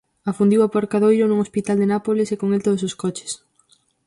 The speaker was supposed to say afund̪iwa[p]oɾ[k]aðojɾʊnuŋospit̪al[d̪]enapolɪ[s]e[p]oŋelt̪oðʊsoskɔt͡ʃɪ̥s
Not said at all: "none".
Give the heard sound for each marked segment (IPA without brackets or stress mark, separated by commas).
p, k, d̪, s, k